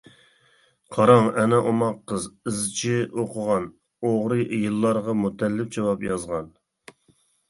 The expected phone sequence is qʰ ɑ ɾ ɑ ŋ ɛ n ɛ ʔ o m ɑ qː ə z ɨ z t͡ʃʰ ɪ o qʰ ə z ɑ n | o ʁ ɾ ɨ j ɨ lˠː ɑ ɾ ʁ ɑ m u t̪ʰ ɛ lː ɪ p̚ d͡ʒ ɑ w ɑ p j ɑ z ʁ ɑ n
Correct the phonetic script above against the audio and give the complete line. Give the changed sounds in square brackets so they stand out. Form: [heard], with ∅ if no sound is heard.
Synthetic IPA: qʰ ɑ ɾ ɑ ŋ ɛ n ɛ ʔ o m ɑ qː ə z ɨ z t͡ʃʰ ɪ o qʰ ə [ʁ] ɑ n | o ʁ ɾ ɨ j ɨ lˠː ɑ ɾ ʁ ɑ m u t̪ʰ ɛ lː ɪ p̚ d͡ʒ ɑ w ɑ p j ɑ z ʁ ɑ n